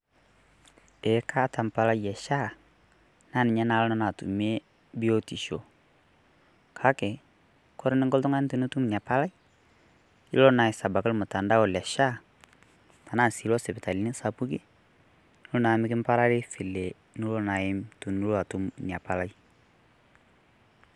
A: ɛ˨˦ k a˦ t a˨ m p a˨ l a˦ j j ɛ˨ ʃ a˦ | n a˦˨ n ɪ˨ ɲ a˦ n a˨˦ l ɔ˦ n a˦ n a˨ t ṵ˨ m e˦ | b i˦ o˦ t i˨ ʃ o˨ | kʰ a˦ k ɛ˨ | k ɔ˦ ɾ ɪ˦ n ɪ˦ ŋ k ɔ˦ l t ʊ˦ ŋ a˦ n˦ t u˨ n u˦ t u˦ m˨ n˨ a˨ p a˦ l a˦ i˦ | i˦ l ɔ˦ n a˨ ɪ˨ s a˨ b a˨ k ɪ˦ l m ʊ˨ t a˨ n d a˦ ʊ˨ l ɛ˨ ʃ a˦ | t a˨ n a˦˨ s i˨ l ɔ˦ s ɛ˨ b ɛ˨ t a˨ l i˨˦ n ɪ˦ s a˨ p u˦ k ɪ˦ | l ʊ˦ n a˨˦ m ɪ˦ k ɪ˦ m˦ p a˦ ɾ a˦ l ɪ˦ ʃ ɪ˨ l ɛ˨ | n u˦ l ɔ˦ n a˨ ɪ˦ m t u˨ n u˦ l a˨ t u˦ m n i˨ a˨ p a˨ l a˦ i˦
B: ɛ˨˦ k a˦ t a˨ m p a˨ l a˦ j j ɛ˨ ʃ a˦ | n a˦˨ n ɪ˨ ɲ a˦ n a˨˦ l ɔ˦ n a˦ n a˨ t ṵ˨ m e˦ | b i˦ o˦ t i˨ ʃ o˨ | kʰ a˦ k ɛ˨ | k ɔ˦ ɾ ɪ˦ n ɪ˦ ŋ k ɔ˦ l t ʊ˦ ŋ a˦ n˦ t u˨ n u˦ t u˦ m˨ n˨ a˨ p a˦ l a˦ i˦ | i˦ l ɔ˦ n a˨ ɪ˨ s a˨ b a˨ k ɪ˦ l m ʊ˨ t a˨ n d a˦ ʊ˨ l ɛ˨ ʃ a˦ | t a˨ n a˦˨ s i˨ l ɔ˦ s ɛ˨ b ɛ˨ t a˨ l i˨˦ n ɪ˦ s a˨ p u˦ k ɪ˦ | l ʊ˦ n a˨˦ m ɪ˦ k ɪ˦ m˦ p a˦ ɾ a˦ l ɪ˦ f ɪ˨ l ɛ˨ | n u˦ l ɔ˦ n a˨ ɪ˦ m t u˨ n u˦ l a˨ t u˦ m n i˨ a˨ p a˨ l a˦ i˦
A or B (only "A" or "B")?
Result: B